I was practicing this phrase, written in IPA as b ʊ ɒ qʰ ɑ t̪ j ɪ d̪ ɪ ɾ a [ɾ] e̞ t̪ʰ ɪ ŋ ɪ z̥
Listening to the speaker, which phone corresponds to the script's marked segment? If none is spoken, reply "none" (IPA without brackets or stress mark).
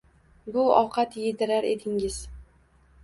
ɾ